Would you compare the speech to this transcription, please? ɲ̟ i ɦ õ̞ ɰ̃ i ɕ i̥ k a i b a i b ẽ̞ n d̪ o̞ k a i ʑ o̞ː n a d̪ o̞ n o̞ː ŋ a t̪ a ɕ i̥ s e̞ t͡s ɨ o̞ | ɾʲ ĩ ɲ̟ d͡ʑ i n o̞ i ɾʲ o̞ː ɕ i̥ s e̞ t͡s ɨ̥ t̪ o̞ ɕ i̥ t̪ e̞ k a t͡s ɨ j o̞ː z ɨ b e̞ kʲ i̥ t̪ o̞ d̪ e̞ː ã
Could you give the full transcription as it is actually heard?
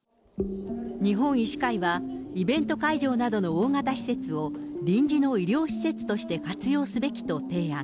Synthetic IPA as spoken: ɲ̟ i ɦ õ̞ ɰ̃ i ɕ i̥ k a i β a i b ẽ̞ n t̪ o̞ k a i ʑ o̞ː n a d̪ o̞ n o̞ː ŋ a t̪ a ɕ i̥ s e̞ t͡s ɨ o̞ | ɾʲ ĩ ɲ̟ d͡ʑ i n o̞ i ɾʲ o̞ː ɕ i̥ s e̞ t͡s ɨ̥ t̪ o̞ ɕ i̥ t̪ e̞ k a t͡s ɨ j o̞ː s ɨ b e̞ kʲ i̥ t̪ o̞ t̪ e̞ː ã